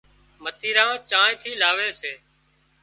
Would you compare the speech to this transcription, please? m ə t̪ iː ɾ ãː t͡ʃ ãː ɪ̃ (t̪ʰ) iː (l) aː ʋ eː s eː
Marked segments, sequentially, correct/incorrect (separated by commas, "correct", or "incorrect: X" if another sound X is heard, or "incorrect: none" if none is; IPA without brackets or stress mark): correct, correct